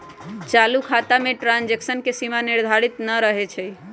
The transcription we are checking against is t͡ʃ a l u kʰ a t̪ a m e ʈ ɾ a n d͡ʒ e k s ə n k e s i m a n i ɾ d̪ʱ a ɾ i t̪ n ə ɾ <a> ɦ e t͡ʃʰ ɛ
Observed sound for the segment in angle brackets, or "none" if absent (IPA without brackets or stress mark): ə